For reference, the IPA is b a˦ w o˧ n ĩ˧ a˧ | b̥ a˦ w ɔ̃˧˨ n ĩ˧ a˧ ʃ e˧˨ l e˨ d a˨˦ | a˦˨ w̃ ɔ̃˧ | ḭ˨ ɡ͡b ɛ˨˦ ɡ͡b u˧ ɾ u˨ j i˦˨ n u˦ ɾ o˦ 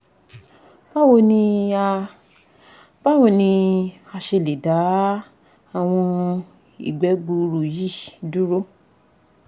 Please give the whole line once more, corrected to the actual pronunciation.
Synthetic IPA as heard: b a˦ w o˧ n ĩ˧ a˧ | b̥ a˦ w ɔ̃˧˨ n ĩ˧ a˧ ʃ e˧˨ l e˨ d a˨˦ | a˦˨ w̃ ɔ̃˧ | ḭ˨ ɡ͡b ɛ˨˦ ɡ͡b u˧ ɾ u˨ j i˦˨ d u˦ ɾ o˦